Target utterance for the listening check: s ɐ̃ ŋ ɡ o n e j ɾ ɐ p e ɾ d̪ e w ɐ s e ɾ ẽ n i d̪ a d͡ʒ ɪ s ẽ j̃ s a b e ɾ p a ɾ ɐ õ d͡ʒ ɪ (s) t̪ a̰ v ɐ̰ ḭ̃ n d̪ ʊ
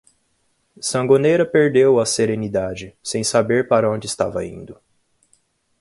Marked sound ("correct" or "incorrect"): correct